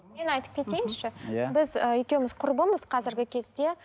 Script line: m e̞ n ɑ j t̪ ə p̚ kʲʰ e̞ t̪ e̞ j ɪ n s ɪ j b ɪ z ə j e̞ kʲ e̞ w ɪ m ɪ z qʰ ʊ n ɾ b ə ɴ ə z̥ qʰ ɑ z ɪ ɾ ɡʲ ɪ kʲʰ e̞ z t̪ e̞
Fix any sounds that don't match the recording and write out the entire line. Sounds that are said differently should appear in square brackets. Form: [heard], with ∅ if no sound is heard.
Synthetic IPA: m e̞ n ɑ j t̪ ə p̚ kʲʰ e̞ t̪ e̞ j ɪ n [ʃ] ɪ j b ɪ z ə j e̞ kʲ e̞ w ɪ m ɪ z qʰ ʊ [∅] ɾ b ə [m] ə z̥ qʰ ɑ z ɪ ɾ ɡʲ ɪ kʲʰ e̞ z [d̪] e̞